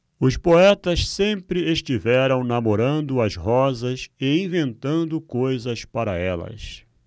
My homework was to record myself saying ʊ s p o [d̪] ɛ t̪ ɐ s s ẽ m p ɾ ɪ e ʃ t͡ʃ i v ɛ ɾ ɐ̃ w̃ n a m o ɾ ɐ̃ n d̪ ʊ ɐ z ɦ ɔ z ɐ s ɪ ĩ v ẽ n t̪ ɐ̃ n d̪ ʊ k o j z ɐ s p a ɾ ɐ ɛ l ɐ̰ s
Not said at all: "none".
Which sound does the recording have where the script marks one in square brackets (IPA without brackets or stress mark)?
none